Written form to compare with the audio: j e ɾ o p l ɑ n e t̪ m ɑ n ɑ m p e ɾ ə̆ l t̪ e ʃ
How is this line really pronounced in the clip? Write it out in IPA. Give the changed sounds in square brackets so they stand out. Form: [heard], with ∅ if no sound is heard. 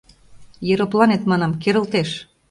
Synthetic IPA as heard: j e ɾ o p l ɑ n e t̪ m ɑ n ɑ m [k] e ɾ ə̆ l t̪ e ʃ